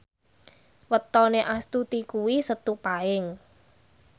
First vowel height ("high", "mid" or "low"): mid